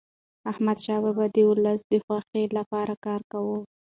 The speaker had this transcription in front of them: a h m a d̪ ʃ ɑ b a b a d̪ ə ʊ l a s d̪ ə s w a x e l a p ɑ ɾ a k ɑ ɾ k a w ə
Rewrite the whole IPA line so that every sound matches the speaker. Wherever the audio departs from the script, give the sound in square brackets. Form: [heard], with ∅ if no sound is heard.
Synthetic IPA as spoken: a h m a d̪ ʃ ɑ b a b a d̪ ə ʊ l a s d̪ ə [x] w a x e l a p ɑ ɾ a k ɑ ɾ k a w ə